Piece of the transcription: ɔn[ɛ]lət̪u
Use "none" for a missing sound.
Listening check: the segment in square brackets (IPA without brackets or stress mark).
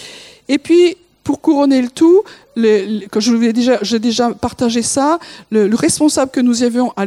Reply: e